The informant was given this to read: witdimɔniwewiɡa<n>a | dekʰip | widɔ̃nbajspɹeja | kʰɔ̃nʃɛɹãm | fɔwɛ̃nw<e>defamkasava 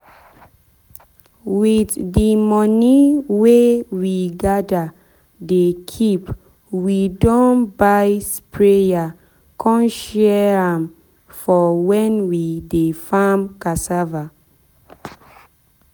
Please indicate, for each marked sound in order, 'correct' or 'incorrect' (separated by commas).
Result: incorrect, incorrect